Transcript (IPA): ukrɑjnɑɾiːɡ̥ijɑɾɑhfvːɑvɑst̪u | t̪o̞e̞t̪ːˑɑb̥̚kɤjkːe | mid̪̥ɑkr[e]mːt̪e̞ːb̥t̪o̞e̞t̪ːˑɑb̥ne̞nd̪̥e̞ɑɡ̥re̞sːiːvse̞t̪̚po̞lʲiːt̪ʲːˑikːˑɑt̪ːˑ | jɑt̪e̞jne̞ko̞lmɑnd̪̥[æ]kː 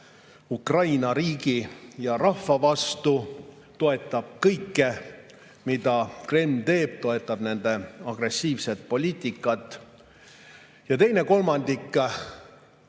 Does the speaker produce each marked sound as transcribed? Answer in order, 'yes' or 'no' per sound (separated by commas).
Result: yes, no